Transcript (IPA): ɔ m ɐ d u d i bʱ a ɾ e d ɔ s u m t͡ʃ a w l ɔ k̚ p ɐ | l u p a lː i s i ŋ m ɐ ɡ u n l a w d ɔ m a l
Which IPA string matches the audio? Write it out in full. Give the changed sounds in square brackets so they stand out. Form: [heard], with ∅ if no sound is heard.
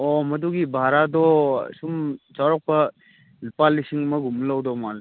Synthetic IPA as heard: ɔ m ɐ d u [ɡ] i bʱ a ɾ [a] d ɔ s u m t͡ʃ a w [ɾ] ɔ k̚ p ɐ | l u p a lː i s i ŋ m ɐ ɡ u [m] l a w d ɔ m a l